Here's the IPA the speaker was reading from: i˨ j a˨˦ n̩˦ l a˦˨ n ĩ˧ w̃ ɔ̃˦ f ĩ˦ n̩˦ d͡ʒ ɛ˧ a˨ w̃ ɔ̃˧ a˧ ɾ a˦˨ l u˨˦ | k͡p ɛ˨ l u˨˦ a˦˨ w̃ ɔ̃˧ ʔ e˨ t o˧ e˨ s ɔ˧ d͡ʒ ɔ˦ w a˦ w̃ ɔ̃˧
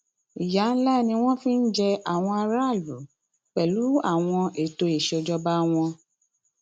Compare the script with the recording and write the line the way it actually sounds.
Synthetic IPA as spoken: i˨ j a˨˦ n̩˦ l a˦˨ n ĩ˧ w̃ ɔ̃˦ f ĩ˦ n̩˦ d͡ʒ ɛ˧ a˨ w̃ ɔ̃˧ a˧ ɾ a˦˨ l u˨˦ | k͡p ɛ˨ l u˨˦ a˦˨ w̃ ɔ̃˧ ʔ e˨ t o˧ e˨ ʃ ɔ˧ d͡ʒ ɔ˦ b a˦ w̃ ɔ̃˧

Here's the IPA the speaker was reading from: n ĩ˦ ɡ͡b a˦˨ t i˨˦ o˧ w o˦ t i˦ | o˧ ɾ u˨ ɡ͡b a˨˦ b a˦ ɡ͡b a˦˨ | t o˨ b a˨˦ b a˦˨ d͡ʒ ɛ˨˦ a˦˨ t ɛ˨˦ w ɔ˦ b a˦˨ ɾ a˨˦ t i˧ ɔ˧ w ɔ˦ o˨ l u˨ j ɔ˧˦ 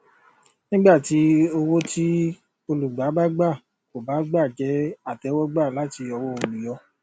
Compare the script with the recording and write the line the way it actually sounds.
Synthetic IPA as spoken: n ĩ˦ ɡ͡b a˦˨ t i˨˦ o˧ w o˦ t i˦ | o˧ l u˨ ɡ͡b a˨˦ b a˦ ɡ͡b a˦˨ | k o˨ b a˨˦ ɡ͡b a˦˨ d͡ʒ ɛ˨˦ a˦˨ t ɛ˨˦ w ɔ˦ ɡ͡b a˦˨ l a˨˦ t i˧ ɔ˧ w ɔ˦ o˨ l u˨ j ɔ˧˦

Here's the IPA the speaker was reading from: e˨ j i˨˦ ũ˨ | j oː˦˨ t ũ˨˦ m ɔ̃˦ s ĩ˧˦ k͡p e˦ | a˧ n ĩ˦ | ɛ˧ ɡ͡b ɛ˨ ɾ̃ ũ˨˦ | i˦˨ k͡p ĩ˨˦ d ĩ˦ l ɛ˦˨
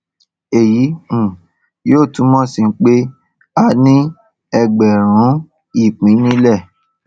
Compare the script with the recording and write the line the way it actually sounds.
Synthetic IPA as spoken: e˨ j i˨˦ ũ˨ | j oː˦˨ t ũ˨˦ m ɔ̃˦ s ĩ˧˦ k͡p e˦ | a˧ n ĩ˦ | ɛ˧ ɡ͡b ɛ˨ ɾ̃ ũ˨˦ | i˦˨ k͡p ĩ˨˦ n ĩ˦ l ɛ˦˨

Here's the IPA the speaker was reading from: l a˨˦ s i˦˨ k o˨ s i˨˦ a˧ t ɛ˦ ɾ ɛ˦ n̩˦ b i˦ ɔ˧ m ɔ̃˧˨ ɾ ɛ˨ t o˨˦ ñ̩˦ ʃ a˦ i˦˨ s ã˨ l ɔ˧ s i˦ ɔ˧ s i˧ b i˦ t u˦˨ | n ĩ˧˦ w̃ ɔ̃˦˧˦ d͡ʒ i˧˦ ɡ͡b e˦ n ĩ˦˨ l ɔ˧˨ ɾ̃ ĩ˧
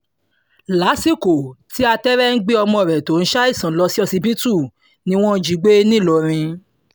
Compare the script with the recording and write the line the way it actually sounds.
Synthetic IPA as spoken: l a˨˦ s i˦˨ k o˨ t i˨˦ a˧ t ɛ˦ ɾ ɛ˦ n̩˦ ɡ͡b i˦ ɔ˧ m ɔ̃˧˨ ɾ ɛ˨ t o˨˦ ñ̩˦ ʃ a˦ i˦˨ s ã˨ l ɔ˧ s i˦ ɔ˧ s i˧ b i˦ t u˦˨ | n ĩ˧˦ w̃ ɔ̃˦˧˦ d͡ʒ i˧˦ ɡ͡b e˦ n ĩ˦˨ l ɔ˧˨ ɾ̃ ĩ˧

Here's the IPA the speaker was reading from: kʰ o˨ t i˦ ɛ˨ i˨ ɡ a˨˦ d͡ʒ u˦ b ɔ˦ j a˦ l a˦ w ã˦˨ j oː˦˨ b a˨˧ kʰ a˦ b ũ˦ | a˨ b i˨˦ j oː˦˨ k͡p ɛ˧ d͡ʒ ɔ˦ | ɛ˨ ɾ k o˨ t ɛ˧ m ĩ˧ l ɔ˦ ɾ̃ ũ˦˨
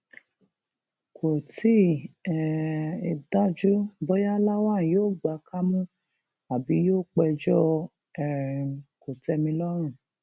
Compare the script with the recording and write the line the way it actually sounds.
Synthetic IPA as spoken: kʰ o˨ t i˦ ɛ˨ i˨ d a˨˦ d͡ʒ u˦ b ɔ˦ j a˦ l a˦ w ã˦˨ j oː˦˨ ɡ͡b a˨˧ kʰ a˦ m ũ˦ | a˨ b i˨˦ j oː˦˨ k͡p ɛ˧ d͡ʒ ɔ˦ | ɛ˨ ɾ k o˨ t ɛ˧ m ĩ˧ l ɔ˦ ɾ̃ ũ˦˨

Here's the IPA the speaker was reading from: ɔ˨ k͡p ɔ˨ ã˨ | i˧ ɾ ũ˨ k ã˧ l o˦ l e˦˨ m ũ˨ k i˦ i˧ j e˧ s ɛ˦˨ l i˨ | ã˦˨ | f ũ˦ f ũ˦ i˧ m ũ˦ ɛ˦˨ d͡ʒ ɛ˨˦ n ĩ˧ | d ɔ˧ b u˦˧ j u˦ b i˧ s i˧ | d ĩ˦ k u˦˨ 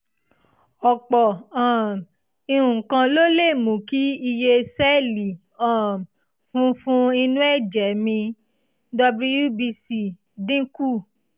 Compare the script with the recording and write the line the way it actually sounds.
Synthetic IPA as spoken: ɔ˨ k͡p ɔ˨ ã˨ | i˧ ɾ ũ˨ k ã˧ l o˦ l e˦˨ m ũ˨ k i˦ i˧ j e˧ s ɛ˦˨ l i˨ | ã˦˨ | f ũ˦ f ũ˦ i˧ n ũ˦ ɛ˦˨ d͡ʒ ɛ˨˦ m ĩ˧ | d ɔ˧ b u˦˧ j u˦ b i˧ s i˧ | d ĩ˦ k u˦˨

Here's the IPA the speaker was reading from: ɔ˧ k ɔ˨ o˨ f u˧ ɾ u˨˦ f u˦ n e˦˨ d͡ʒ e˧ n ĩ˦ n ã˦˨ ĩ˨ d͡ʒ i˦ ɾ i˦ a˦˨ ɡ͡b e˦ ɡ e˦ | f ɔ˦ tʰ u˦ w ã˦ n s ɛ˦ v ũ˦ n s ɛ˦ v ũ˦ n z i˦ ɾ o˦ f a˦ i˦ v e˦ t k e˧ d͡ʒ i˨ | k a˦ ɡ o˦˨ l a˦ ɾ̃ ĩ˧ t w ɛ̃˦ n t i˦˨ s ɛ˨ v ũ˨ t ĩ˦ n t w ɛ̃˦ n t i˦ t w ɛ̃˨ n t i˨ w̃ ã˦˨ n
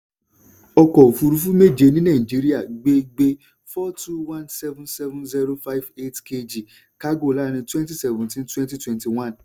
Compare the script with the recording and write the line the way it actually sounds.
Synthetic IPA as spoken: ɔ˧ k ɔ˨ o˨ f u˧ ɾ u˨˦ f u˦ m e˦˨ d͡ʒ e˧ n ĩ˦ n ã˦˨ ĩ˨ d͡ʒ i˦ ɾ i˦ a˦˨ ɡ͡b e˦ ɡ͡b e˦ | f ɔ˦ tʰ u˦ w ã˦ n s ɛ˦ v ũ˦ n s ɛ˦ v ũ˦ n z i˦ ɾ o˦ f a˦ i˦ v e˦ t k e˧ d͡ʒ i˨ | k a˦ ɡ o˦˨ l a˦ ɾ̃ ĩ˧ t w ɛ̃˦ n t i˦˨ s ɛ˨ v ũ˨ t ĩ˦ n t w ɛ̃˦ n t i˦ t w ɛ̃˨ n t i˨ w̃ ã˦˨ n

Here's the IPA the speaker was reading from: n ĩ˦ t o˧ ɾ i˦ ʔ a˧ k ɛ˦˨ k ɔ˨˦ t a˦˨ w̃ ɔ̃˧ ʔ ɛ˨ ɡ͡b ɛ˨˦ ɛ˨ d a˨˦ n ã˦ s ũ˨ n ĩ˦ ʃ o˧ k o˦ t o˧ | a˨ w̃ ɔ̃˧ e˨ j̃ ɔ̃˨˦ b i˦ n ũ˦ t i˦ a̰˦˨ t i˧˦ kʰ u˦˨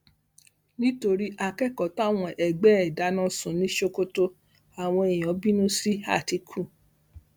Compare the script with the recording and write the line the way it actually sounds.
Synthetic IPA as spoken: n ĩ˦ t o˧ ɾ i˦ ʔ a˧ k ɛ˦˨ k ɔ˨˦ t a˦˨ w̃ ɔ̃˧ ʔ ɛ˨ ɡ͡b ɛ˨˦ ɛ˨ d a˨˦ n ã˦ s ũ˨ n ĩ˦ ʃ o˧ k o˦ t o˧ | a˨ w̃ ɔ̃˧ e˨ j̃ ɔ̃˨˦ b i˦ n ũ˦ s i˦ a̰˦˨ t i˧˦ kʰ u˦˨

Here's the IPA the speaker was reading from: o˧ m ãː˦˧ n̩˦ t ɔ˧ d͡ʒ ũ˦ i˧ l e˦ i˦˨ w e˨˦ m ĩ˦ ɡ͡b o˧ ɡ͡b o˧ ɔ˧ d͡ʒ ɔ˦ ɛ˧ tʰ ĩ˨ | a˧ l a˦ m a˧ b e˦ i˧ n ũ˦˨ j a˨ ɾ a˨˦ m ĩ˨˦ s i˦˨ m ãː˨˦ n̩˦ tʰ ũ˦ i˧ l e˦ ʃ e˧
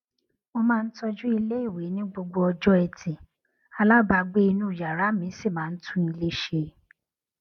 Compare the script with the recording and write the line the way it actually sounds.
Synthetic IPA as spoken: o˧ m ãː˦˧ n̩˦ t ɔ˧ d͡ʒ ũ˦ i˧ l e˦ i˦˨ w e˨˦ n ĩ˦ ɡ͡b o˧ ɡ͡b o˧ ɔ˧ d͡ʒ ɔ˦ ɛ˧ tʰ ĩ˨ | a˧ l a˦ b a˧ ɡ͡b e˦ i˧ n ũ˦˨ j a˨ ɾ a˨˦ m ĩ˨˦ s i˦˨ m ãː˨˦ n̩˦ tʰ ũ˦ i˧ l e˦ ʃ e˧

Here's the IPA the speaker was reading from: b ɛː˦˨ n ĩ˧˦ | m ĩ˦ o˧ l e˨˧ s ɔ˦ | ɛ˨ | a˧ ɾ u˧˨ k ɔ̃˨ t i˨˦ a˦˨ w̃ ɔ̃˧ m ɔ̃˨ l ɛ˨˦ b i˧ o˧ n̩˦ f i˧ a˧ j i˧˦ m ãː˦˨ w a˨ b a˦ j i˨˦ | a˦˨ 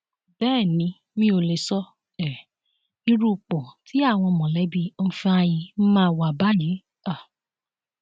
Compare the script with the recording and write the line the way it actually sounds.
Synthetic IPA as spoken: b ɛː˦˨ n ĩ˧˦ | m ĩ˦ o˧ l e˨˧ s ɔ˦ | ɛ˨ | i˧ ɾ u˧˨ k͡p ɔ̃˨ t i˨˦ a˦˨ w̃ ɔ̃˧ m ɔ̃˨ l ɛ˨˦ b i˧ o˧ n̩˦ f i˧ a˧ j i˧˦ m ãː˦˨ w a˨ b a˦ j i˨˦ | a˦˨

